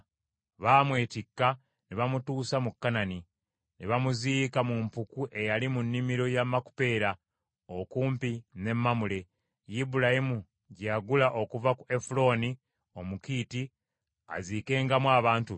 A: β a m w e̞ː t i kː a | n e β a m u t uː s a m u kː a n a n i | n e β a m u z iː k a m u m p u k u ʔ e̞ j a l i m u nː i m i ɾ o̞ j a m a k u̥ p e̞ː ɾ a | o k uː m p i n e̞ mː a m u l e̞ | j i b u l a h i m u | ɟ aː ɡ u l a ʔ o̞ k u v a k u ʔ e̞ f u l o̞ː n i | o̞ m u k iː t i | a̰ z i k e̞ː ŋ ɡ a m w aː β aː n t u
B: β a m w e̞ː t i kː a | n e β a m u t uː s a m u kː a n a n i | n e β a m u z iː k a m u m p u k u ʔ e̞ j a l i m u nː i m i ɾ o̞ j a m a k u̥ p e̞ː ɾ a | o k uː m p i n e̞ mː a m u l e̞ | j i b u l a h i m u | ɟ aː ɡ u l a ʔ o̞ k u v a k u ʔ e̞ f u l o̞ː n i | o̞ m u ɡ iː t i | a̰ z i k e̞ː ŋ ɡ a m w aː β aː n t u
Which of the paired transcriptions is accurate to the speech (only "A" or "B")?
A